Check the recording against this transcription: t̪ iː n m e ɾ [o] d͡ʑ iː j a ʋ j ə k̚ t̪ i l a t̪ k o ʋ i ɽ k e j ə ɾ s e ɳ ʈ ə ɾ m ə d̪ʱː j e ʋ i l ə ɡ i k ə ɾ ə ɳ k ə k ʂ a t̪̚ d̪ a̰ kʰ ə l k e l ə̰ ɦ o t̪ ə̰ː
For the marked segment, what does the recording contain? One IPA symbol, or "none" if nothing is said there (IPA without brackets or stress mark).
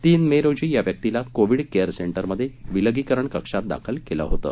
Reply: o